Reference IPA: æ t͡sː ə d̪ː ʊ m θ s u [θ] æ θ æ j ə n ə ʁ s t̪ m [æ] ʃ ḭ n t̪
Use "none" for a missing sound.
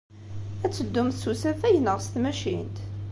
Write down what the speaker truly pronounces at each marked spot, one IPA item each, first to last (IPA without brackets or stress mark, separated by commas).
s, æ